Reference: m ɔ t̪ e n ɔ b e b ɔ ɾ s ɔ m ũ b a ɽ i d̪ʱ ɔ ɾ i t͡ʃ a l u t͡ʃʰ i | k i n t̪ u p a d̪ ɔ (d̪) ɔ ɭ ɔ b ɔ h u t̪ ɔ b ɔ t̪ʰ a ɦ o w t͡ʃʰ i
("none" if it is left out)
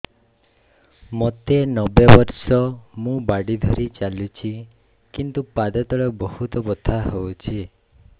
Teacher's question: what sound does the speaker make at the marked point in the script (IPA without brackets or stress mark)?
t̪